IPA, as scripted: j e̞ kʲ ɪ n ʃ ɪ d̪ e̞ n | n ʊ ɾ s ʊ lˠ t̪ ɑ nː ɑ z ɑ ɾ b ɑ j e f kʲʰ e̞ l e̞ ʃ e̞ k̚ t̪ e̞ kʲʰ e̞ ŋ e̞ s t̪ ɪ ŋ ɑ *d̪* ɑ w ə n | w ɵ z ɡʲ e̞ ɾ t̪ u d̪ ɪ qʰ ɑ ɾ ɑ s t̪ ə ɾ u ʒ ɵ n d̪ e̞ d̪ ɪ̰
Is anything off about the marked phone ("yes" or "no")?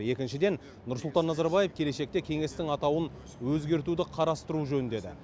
yes